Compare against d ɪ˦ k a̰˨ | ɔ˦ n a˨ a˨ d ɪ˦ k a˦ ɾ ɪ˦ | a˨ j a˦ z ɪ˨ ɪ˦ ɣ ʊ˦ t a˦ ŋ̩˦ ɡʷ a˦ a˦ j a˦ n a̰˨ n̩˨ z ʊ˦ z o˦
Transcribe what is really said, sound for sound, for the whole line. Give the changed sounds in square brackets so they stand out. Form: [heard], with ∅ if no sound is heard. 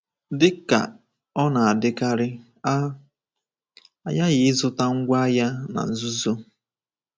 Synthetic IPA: d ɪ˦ k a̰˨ | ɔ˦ n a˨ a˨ d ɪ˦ k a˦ ɾ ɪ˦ | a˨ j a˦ [ɣ] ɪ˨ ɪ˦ [z] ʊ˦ t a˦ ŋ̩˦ ɡʷ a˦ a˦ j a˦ n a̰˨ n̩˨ z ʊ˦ z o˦